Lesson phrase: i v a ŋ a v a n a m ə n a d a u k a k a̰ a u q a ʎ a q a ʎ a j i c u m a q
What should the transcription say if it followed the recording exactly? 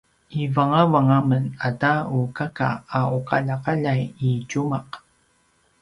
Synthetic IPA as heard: i v a ŋ a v a ŋ a m ə n a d a u k a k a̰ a u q a ʎ a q a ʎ a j i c u m a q